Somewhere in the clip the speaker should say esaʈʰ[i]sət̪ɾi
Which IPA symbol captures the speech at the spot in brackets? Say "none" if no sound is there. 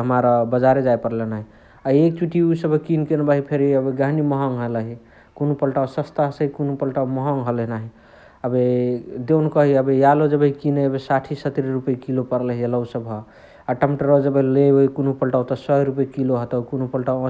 i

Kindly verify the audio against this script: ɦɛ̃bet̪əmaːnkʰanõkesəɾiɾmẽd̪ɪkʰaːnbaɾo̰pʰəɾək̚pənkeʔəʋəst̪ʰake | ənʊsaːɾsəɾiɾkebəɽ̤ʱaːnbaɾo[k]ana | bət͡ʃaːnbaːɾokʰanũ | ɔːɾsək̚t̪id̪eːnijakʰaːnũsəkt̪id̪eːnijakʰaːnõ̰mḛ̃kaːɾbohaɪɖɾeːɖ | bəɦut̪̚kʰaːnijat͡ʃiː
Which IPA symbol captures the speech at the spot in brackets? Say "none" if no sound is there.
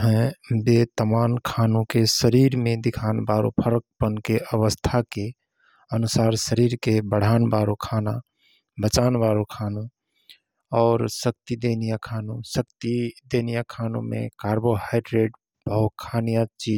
kʰ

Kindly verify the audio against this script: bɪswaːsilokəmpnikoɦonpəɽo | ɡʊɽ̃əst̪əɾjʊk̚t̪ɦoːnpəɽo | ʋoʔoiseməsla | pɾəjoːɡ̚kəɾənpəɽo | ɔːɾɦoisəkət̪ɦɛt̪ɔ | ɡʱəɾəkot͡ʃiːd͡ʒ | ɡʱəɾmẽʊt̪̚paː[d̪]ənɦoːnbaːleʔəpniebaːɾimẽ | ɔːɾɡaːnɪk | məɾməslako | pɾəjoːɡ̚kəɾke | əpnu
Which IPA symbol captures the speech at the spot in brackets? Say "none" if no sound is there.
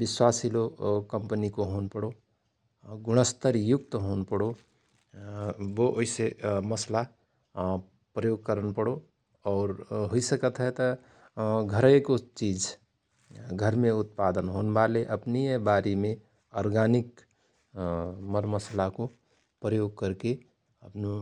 d̪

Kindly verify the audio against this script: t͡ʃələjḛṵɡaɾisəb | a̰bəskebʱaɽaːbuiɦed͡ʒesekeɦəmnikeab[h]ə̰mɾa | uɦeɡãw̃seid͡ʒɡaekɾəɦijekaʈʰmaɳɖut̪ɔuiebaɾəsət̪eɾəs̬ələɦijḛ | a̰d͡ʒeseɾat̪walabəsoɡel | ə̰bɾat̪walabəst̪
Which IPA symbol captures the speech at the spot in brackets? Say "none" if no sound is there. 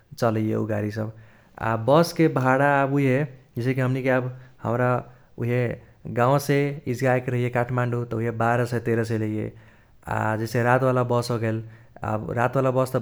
h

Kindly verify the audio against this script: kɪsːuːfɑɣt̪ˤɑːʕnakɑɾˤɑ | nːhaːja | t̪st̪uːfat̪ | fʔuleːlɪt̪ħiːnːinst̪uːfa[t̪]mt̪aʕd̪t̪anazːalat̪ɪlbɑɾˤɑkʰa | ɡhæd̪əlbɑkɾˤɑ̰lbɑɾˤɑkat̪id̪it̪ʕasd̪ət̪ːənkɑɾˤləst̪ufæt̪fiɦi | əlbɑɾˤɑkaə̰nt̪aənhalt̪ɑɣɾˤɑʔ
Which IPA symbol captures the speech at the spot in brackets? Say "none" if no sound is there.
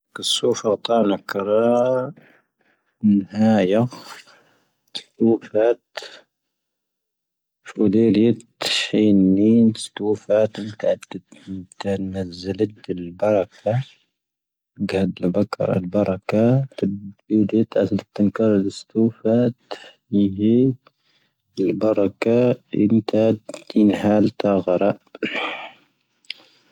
t̪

